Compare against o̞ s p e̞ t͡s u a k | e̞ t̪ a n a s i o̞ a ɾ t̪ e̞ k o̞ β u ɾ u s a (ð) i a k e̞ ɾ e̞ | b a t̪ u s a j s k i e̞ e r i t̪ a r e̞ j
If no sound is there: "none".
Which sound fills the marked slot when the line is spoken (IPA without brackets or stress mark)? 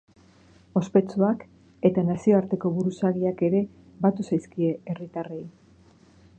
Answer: ɣ